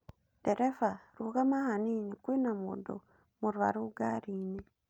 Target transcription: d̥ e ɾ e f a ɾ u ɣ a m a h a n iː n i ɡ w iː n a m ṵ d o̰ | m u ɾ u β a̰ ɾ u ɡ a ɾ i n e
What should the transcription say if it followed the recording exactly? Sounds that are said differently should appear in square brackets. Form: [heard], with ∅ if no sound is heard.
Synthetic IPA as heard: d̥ e ɾ e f a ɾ u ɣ a m a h a n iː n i [k] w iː n a m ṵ d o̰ | m u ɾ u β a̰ ɾ u ɡ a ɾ i n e